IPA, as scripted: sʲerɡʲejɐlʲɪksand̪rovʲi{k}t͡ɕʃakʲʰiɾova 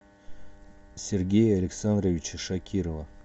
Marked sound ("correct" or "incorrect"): incorrect